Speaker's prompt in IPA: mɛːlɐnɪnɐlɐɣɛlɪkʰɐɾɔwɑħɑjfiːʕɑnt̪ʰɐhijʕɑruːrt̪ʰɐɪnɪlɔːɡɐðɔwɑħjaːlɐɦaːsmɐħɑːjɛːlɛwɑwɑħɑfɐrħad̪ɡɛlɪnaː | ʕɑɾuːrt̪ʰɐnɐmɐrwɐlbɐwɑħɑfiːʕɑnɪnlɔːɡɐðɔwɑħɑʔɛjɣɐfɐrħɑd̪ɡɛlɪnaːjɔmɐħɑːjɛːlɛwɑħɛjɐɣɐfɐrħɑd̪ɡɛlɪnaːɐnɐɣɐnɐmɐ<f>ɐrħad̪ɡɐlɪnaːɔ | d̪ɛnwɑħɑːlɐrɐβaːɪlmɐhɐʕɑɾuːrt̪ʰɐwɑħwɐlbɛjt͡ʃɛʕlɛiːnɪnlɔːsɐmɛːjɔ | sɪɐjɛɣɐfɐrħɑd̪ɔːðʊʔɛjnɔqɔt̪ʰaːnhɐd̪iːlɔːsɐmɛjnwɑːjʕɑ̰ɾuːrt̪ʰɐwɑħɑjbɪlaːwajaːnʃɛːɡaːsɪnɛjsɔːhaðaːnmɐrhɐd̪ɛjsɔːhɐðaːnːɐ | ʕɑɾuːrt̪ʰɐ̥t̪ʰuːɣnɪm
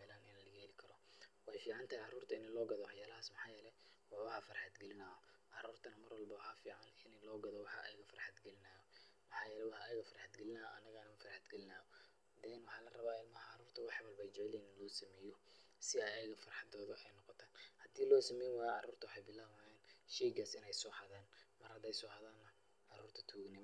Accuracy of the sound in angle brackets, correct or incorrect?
correct